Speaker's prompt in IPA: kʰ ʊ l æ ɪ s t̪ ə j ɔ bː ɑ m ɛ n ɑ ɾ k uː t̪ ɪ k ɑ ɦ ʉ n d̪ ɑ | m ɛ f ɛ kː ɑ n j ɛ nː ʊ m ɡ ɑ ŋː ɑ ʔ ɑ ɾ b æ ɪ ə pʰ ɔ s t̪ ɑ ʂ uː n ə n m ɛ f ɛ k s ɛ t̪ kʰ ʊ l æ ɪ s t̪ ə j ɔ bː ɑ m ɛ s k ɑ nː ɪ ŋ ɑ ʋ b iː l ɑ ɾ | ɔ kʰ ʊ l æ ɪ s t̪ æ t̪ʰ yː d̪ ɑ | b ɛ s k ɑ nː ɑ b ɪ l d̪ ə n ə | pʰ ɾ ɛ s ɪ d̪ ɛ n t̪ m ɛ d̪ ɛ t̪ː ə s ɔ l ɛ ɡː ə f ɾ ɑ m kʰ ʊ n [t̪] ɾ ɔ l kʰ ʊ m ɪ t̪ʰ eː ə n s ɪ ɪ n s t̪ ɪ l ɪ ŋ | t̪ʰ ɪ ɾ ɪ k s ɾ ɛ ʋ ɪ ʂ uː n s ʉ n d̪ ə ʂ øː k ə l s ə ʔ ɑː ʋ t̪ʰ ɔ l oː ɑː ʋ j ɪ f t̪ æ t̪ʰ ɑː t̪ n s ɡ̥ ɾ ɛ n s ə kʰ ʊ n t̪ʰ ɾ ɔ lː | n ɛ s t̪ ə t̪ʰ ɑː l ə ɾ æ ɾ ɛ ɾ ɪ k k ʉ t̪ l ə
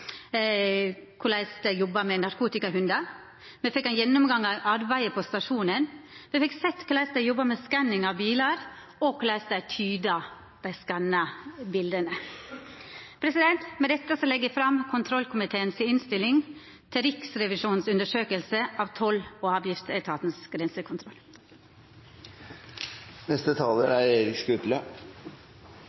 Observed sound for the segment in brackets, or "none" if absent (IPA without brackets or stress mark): t̪ʰ